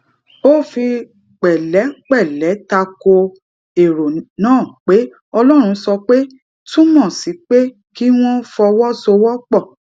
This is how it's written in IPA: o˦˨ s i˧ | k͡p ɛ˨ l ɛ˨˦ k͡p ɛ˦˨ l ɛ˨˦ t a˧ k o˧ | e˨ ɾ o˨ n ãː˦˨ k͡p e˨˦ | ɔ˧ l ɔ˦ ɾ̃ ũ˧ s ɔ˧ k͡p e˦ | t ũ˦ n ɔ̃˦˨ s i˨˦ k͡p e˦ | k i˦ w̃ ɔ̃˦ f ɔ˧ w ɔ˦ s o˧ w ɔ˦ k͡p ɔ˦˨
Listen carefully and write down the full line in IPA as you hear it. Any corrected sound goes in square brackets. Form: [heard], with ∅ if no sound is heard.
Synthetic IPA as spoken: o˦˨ [f] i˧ | k͡p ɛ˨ l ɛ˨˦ k͡p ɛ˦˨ l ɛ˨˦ t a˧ k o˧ | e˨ ɾ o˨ n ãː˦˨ k͡p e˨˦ | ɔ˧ l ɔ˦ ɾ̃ ũ˧ s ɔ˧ k͡p e˦ | t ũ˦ [m] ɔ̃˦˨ s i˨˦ k͡p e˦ | k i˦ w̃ ɔ̃˦ f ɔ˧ w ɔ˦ s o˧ w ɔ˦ k͡p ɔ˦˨